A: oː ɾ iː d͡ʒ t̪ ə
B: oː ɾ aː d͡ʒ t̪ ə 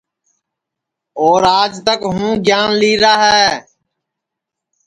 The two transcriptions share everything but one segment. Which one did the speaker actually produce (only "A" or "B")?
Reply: B